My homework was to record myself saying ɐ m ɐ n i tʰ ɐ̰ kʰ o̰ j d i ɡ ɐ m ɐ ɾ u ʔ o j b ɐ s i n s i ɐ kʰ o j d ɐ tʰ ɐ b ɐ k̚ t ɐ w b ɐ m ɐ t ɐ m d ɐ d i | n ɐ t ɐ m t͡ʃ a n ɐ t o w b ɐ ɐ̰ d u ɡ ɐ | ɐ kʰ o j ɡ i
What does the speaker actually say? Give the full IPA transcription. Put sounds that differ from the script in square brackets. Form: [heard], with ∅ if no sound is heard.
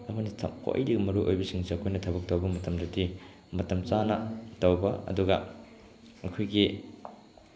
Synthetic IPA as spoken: ɐ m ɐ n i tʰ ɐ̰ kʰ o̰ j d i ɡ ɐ m ɐ ɾ u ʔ o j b ɐ s i [ŋ] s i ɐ kʰ o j [n] ɐ tʰ ɐ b ɐ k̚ t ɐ w b ɐ m ɐ t ɐ m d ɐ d i | [m] ɐ t ɐ m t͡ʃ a n ɐ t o w b ɐ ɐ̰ d u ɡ ɐ | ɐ kʰ o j ɡ i

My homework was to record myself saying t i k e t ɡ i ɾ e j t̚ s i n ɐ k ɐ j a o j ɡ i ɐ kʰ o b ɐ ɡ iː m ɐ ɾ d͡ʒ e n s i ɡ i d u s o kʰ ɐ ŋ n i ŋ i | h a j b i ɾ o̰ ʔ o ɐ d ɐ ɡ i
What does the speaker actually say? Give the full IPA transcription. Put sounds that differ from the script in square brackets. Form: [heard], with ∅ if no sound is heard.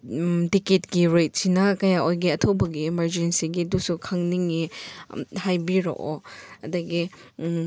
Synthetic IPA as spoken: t i k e t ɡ i ɾ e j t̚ s i n ɐ k ɐ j a o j ɡ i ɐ [tʰ] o b ɐ ɡ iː m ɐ ɾ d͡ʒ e n s i ɡ i d u s [u] kʰ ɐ ŋ n i ŋ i | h a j b i ɾ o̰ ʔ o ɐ d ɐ ɡ i

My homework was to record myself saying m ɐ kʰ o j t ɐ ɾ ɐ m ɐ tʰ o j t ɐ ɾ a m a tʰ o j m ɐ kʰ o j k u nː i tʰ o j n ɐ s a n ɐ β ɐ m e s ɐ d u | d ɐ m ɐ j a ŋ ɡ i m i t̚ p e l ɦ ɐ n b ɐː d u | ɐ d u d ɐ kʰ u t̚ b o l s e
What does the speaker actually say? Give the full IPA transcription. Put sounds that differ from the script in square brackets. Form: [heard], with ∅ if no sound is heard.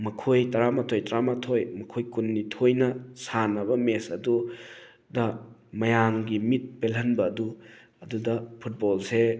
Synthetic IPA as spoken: m ɐ kʰ o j t ɐ ɾ [a] m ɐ tʰ o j t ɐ ɾ a m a tʰ o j m ɐ kʰ o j k u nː i tʰ o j n ɐ s a n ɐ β ɐ m e s ɐ d u | d ɐ m ɐ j a ŋ ɡ i m i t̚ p e l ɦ ɐ n b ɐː d u | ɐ d u d ɐ [pʰ] u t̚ b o l s e

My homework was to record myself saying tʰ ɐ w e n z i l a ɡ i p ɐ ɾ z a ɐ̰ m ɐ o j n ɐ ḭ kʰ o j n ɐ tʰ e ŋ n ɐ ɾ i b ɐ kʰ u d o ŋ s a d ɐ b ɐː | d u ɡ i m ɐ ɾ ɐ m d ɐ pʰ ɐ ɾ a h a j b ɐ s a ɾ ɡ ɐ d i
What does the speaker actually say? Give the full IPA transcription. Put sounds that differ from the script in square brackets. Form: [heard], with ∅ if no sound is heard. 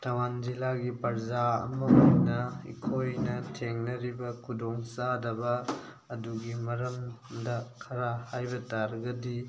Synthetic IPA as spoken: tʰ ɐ w [a] n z i l a ɡ i p ɐ ɾ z a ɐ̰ m ɐ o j n ɐ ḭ kʰ o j n ɐ tʰ e ŋ n ɐ ɾ i b ɐ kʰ u d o ŋ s a d ɐ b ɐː | d u ɡ i m ɐ ɾ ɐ m d ɐ [kʰ] ɐ ɾ a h a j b ɐ [t] a ɾ ɡ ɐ d i

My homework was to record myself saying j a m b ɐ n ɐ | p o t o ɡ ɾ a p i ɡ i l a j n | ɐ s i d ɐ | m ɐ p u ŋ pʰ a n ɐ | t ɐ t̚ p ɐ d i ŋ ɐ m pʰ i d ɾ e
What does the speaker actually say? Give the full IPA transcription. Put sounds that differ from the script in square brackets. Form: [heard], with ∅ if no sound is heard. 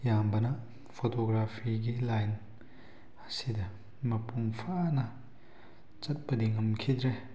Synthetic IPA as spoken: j a m b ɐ n ɐ | [pʰ] o t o ɡ ɾ a [pʰ] i ɡ i l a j n | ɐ s i d ɐ | m ɐ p u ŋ pʰ a n ɐ | [t͡ʃ] ɐ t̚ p ɐ d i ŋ ɐ m [kʰ] i d ɾ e

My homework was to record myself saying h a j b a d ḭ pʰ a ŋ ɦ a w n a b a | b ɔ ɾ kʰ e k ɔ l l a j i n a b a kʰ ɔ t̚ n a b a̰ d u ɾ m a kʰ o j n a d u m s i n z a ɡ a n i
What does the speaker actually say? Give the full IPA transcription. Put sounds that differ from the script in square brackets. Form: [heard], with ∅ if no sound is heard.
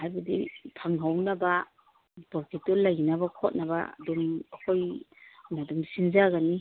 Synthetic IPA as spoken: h a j b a d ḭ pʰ a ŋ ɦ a w n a b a | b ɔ ɾ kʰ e [t] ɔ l l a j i n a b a kʰ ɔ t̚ n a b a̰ d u [∅] m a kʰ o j n a d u m s i n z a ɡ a n i

